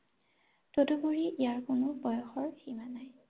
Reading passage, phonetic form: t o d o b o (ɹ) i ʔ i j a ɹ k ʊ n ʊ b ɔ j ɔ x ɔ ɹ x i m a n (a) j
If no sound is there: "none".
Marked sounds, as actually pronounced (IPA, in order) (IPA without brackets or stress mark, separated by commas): ɹ, a